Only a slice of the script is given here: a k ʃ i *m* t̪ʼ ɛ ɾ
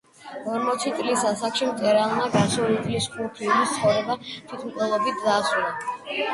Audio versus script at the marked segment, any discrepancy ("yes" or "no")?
no